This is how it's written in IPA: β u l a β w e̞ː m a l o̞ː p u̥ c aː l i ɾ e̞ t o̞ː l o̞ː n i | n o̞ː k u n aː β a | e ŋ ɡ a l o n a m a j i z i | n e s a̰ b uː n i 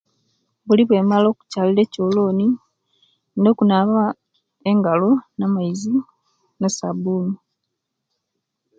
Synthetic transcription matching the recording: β u l i β w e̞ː m a l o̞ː k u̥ c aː l i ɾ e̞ c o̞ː l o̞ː n i | n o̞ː k u n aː β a | e ŋ ɡ a l o n a m a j i z i | n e s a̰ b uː n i